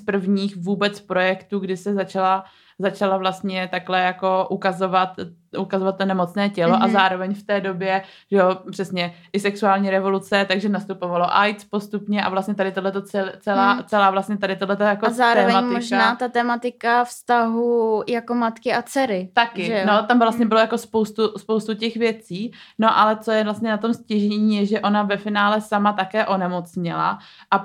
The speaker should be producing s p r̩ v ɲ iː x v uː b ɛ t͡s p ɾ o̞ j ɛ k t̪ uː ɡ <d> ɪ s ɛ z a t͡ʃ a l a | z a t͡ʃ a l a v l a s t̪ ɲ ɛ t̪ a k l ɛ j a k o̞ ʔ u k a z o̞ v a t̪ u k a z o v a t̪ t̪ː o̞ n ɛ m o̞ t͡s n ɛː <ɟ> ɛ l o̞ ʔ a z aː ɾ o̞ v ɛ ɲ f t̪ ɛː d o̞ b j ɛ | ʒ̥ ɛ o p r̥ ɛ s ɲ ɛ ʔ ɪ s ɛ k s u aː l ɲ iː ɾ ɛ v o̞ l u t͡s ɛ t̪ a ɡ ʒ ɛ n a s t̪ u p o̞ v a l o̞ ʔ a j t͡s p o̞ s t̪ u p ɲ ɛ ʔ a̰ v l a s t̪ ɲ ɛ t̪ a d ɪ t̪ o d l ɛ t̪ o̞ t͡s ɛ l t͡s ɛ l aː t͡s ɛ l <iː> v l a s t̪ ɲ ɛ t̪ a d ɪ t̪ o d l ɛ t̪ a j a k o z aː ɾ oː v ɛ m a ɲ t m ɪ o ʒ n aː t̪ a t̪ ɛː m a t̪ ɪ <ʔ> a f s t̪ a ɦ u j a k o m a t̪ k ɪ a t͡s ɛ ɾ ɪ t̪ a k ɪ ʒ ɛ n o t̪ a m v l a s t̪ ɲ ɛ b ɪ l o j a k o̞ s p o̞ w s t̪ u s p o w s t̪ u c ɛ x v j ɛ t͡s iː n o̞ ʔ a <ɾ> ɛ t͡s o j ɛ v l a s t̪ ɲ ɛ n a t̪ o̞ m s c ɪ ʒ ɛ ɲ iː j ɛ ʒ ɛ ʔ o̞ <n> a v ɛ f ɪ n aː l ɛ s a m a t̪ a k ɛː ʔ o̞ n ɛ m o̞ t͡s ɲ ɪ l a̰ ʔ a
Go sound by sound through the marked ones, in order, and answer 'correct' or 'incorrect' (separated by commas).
correct, incorrect, incorrect, incorrect, incorrect, correct